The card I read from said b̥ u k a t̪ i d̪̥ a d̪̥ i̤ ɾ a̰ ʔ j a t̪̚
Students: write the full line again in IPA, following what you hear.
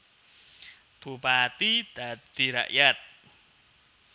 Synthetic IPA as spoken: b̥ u p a t̪ i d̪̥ a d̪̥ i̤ ɾ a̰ ʔ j a t̪̚